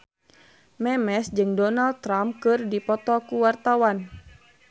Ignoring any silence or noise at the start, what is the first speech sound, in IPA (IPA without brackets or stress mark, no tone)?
m